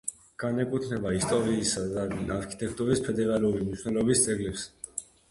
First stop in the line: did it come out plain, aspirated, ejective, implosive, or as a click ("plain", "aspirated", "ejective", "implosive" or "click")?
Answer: plain